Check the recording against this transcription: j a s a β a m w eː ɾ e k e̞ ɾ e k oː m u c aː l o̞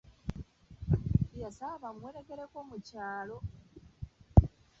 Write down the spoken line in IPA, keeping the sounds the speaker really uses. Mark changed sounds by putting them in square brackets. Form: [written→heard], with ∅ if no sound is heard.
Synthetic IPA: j a s a β a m w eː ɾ e k e̞ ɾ e k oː m u c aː l o̞